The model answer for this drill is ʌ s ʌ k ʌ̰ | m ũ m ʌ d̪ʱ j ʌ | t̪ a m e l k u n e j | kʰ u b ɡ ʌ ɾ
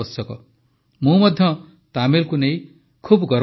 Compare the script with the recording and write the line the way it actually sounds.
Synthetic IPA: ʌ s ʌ k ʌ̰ | m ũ m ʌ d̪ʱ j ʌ | t̪ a m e l k u n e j | kʰ u b ɡ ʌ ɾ